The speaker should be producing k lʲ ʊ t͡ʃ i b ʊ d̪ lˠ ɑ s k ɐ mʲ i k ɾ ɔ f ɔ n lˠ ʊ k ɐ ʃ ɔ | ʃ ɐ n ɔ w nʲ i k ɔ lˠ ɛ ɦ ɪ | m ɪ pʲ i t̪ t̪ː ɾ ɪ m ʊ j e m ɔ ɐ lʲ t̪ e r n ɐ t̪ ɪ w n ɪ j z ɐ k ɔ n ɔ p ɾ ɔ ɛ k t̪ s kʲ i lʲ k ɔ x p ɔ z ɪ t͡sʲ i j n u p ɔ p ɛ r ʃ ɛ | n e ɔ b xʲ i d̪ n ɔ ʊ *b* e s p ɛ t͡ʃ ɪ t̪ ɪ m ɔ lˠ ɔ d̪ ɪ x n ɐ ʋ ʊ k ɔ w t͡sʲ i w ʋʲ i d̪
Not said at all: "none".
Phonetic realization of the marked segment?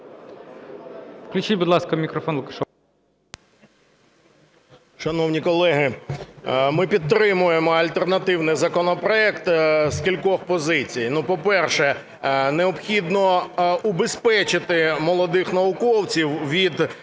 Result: b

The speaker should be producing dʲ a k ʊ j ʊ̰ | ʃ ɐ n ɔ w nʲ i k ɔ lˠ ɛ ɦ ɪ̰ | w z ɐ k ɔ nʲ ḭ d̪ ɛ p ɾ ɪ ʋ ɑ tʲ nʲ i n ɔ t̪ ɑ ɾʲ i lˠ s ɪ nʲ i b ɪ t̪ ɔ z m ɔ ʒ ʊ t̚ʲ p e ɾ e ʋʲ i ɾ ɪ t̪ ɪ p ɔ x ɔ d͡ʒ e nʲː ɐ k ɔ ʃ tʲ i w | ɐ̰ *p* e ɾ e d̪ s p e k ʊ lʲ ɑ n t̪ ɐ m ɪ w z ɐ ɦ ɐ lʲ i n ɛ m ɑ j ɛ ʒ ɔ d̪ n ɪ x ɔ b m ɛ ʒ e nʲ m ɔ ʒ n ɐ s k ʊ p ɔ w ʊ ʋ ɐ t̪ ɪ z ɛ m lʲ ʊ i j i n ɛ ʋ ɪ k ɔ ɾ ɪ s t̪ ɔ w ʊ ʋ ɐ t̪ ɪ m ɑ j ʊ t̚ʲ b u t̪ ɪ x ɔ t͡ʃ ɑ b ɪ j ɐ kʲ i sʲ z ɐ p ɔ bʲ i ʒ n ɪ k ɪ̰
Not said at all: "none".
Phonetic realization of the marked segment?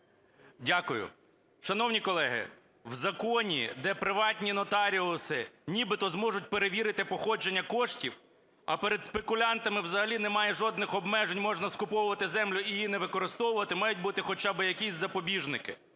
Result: p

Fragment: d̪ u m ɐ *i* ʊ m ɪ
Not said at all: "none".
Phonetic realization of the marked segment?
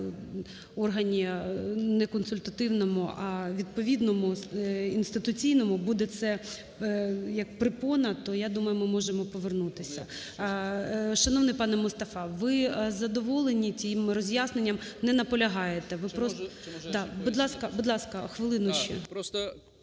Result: j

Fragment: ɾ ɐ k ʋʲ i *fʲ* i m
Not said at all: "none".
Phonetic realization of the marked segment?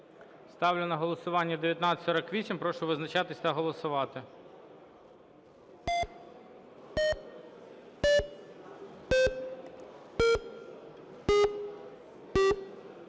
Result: sʲ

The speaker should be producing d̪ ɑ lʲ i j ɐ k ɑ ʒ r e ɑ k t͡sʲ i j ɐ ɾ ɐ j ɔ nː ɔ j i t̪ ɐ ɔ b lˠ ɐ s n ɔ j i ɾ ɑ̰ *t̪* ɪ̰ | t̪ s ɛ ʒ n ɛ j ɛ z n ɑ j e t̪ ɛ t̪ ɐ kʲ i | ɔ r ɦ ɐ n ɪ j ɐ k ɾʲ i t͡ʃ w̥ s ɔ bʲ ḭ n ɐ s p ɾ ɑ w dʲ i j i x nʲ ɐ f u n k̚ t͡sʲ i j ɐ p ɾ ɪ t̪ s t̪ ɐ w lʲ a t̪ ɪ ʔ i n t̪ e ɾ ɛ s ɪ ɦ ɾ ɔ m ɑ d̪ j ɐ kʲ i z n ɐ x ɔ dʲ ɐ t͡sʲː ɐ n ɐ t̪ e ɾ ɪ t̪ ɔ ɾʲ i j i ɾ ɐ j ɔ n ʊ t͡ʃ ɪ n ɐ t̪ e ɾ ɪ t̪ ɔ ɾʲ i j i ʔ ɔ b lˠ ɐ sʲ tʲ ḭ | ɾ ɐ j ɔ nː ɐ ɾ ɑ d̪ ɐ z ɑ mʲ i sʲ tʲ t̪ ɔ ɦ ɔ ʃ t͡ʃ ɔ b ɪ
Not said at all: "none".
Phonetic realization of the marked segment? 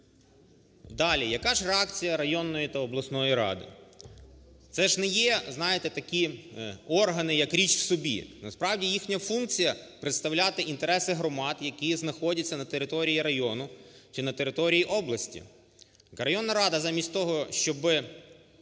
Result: d̪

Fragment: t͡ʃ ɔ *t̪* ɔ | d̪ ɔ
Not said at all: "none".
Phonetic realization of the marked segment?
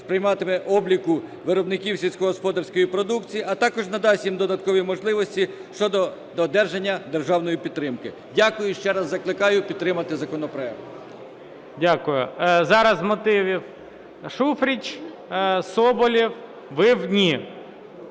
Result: d̪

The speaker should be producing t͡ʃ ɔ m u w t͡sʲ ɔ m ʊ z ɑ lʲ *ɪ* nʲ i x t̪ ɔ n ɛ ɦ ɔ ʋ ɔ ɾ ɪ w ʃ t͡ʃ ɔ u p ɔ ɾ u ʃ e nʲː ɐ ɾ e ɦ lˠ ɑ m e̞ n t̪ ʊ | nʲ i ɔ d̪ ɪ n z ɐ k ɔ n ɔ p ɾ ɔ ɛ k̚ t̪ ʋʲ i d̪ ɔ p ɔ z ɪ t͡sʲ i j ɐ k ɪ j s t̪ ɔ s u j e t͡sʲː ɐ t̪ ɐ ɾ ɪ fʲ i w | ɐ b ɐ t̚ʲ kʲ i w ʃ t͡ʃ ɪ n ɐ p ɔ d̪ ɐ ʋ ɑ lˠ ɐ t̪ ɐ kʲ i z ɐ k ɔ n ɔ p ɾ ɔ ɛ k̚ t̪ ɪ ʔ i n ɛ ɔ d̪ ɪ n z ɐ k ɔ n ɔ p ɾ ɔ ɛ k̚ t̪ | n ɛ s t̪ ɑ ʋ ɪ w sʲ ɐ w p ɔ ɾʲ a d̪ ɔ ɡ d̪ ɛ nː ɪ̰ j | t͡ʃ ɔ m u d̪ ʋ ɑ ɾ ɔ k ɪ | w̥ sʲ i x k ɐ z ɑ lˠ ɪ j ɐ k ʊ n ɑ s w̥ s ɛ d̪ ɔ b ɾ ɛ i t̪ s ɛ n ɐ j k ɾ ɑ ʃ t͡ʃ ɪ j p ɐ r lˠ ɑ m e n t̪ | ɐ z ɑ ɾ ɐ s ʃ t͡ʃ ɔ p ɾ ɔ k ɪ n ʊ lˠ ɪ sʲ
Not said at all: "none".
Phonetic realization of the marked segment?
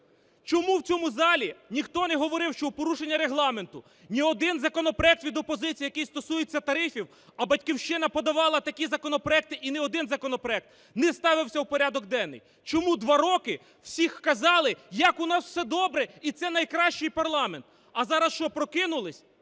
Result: i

